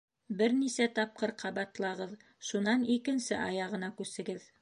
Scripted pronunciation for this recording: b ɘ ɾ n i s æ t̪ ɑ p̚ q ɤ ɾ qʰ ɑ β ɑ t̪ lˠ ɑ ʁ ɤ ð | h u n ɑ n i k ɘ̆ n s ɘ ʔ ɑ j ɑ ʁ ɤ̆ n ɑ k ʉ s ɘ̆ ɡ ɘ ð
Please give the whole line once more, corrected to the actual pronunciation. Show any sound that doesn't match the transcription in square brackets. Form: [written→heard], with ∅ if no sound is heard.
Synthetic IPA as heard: b ɘ ɾ n i s æ t̪ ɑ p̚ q ɤ ɾ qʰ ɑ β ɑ t̪ lˠ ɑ ʁ ɤ ð | [h→ʃ] u n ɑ n i k ɘ̆ n s ɘ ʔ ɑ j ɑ ʁ ɤ̆ n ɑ k ʉ s ɘ̆ ɡ ɘ ð